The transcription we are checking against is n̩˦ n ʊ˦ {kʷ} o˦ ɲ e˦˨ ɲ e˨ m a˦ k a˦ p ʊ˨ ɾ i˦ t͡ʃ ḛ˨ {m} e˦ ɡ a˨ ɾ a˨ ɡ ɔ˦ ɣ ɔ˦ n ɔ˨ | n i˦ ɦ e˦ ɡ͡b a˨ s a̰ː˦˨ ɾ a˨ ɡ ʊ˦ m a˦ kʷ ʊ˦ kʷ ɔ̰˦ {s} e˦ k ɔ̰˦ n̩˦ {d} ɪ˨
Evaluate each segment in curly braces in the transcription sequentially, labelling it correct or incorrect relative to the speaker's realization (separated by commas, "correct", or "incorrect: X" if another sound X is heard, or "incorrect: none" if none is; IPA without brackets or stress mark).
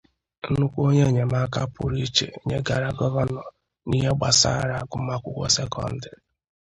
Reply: correct, incorrect: ɲ, correct, correct